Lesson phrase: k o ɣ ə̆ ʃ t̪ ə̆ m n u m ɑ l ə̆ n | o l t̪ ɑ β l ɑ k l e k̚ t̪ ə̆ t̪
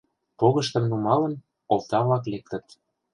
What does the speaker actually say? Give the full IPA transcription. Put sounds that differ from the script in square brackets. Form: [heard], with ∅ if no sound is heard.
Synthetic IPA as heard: [p] o ɣ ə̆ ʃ t̪ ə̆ m n u m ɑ l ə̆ n | o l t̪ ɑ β l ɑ k l e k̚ t̪ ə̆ t̪

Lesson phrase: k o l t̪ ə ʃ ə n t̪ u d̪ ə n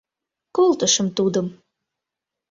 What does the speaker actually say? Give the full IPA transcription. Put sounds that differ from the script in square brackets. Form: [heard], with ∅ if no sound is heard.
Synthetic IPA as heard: k o l t̪ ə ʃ ə [m] t̪ u d̪ ə [m]

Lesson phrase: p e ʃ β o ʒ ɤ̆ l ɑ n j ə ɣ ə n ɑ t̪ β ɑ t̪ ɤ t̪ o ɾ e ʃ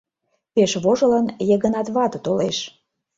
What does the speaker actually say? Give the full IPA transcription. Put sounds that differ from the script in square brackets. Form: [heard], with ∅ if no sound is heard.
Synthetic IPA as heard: p e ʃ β o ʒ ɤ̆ l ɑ n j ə ɣ ə n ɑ t̪ β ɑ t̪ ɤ t̪ o [l] e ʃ

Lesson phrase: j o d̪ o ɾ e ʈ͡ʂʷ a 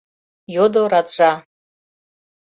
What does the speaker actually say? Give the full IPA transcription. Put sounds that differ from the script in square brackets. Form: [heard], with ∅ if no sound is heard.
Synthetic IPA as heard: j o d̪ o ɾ [a] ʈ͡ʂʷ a

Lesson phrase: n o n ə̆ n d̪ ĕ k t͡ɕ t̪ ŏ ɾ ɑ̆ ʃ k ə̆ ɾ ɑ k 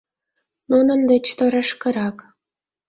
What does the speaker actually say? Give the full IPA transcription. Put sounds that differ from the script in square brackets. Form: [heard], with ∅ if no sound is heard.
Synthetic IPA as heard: n [u] n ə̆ n d̪ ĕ [∅] t͡ɕ t̪ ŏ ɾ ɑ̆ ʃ k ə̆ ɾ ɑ k

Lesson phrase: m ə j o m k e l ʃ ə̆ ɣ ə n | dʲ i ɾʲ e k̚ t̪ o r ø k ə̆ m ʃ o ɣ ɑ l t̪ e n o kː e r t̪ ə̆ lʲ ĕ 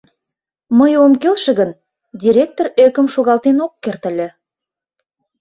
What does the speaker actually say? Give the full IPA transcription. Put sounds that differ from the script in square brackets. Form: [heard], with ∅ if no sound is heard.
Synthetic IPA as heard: m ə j o m k e l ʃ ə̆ ɣ ə n | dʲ i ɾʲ e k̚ t̪ o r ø k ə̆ m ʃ o ɣ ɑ l t̪ e n o kː e r t̪ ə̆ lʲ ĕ

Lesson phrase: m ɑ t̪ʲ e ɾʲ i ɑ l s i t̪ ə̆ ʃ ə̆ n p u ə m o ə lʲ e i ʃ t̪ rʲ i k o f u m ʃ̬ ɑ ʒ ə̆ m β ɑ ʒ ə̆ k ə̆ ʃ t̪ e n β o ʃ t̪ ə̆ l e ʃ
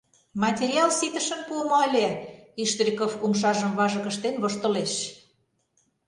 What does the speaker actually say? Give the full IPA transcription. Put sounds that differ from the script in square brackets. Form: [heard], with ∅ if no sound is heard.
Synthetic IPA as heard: m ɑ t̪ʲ e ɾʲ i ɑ l s i t̪ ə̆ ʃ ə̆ n p u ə m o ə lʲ e i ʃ t̪ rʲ i k o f u m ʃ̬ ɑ ʒ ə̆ m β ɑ ʒ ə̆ k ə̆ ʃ t̪ e n β o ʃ t̪ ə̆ l e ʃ

